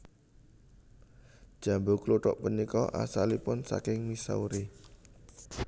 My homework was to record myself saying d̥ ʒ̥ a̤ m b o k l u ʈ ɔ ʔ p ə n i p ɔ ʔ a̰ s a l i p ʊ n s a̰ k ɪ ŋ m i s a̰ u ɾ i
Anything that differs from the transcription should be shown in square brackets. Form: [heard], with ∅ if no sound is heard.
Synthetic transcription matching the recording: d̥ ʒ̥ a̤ m b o k l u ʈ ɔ ʔ p ə n i [k] ɔ ʔ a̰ s a l i p ʊ n s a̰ k ɪ ŋ m i s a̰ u ɾ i